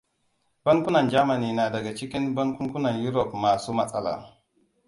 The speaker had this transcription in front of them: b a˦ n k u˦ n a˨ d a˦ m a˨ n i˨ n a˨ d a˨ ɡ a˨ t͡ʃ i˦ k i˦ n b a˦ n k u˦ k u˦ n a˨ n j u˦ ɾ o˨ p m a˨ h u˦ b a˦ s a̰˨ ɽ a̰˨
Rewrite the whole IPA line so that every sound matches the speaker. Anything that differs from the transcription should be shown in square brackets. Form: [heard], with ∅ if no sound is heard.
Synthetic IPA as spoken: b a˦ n k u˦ n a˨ [d͡ʒ] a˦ m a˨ n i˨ n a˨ d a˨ ɡ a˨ t͡ʃ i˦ k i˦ n b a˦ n k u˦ k u˦ n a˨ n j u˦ ɾ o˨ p m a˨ [s] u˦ [m] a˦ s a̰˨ [l] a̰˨